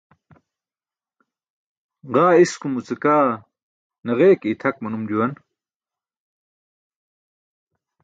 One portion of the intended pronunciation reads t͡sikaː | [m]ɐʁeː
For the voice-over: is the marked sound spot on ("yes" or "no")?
no